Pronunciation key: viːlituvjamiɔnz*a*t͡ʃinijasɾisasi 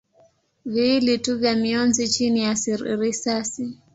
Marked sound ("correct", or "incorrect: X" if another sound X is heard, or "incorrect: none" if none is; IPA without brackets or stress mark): incorrect: i